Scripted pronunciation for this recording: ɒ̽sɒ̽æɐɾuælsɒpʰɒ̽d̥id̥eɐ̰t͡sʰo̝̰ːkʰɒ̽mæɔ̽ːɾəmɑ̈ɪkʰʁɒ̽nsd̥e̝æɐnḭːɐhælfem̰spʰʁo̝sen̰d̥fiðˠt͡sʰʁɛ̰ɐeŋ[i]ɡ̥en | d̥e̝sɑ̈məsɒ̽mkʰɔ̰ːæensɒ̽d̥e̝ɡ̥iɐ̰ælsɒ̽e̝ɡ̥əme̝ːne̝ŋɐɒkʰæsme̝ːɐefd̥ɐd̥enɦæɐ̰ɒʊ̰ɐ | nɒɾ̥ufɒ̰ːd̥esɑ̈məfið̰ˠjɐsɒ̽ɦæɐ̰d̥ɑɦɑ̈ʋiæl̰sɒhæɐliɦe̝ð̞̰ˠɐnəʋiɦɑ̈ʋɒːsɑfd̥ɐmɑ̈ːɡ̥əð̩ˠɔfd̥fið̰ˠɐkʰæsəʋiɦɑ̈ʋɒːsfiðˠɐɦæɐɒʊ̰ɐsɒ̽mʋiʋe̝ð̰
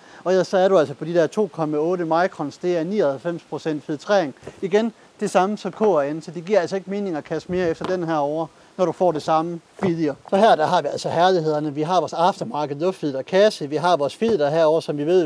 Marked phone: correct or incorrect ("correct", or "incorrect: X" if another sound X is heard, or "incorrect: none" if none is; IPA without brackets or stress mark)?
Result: correct